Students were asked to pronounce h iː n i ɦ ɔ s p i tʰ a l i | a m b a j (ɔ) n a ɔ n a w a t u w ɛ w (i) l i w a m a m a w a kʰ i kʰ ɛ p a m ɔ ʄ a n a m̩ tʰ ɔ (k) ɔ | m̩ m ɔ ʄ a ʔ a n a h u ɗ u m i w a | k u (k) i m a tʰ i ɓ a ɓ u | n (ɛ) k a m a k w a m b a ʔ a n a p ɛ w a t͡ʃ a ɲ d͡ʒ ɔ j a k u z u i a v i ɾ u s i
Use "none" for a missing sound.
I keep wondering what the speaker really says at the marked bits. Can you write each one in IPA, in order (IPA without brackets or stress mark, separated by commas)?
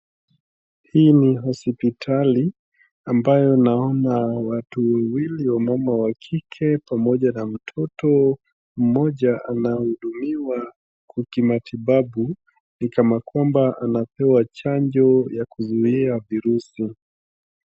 ɔ, i, t, k, i